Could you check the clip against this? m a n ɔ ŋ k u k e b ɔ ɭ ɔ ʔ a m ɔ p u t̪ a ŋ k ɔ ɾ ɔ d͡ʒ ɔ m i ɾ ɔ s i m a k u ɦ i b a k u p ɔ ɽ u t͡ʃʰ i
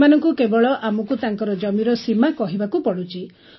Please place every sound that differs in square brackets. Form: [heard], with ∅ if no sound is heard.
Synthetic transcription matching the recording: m a n ɔ ŋ k u k e b ɔ ɭ ɔ ʔ a m ɔ [k] u t̪ a ŋ k ɔ ɾ ɔ d͡ʒ ɔ m i ɾ ɔ s i m a k [ɔ] ɦ i b a k u p ɔ ɽ u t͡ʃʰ i